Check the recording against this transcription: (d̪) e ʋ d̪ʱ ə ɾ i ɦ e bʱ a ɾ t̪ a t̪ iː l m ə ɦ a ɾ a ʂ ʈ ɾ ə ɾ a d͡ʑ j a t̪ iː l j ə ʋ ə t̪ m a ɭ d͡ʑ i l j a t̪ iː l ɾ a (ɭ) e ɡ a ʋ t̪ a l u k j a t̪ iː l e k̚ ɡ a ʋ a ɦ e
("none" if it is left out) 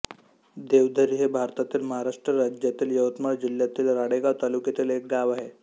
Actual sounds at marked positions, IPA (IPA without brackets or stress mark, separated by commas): d̪, ɽ